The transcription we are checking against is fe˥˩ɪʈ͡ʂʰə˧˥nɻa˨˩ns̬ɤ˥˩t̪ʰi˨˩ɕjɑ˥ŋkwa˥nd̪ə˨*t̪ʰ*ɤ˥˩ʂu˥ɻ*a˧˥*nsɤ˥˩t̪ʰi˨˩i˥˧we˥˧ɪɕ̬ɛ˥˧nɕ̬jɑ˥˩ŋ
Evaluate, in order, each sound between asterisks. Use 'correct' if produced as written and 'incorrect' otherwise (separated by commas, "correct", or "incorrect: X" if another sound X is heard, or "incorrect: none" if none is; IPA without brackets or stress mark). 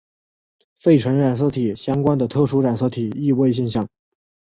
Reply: correct, incorrect: a˨˩